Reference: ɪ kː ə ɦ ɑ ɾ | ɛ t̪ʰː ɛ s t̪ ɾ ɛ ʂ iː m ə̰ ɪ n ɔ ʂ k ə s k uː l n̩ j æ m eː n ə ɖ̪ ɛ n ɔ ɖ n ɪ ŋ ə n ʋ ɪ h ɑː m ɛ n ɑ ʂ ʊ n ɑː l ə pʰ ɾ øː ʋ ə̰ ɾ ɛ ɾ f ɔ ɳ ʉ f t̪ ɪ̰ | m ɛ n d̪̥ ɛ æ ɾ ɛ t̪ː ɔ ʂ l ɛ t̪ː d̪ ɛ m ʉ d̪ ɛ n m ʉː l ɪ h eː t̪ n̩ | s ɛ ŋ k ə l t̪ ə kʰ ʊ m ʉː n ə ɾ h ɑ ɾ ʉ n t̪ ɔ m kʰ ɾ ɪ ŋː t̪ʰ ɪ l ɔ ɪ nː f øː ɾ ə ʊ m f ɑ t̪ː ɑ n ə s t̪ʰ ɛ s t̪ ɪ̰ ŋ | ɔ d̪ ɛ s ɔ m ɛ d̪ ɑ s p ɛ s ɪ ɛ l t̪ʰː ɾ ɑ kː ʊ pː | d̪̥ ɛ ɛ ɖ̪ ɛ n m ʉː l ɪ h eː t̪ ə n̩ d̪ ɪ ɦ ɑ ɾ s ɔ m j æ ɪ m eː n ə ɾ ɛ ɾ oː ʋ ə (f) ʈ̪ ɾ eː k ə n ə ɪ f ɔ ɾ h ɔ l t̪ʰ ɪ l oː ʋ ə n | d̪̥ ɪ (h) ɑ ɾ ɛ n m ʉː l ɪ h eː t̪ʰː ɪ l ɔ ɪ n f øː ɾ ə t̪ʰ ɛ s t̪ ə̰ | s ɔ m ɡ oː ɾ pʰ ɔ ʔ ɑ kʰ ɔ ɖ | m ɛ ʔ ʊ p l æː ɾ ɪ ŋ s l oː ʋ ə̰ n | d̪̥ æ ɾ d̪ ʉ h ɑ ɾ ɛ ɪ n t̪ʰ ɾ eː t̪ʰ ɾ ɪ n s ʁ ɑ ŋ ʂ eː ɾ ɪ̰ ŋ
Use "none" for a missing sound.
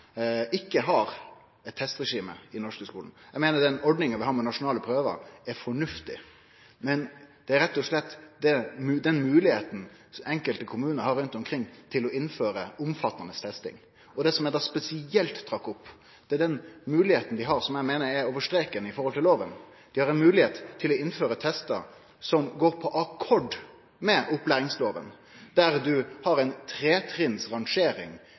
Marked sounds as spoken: ʂ, h

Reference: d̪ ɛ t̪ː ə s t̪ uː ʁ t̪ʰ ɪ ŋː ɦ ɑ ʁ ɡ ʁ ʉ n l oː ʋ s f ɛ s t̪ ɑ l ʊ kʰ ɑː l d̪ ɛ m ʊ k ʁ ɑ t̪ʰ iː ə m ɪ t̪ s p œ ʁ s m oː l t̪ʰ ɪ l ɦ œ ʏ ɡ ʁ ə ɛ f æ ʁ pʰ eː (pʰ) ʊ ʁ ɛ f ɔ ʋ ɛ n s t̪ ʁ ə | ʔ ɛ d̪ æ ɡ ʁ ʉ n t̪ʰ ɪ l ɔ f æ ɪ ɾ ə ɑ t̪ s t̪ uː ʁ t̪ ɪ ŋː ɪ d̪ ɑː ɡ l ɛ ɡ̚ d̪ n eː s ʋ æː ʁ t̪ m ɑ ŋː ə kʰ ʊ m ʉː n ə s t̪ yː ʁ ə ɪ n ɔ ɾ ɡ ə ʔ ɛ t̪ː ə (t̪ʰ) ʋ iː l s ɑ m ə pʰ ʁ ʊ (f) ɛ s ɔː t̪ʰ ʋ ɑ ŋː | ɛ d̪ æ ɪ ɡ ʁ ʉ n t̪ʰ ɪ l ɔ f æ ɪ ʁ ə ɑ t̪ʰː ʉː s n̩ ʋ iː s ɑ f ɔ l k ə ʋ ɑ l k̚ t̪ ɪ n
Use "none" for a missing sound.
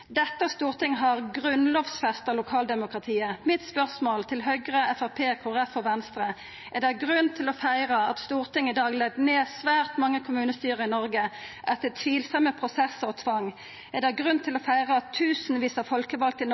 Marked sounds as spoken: kʰ, t̪ʰ, s

